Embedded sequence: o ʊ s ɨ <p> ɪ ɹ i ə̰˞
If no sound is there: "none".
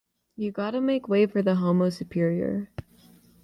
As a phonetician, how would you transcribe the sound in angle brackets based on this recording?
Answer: pʰ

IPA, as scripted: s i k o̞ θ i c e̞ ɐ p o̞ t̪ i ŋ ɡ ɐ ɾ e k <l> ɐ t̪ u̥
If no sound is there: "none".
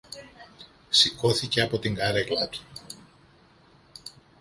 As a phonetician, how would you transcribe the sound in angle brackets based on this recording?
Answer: l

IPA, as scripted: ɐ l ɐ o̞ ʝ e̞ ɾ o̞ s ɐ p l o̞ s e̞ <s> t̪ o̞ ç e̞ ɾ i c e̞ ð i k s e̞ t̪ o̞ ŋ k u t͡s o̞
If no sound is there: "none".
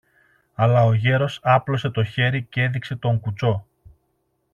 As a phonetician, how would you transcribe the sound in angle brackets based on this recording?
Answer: none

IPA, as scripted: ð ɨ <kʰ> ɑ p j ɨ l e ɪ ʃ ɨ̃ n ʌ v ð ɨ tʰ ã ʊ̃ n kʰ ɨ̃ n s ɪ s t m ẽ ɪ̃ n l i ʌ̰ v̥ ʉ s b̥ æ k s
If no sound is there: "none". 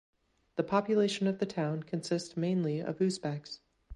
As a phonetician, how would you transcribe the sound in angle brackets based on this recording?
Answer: pʰ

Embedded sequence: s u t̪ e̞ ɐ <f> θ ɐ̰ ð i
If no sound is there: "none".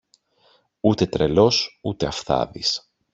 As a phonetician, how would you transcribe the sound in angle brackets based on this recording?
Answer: f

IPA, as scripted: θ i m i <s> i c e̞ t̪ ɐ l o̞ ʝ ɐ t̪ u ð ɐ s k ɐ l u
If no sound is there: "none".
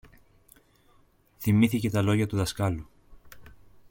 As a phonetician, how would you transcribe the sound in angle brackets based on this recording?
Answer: θ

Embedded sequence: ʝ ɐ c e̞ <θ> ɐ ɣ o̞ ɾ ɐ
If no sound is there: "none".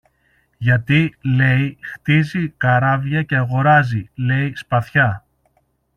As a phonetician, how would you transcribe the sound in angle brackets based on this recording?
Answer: none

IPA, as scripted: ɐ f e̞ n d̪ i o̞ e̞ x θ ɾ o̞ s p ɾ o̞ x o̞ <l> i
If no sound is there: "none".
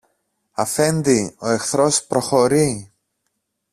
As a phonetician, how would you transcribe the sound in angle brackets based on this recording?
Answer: ɾ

